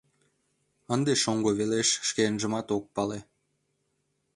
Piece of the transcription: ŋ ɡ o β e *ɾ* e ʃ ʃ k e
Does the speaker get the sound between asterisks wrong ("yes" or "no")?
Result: yes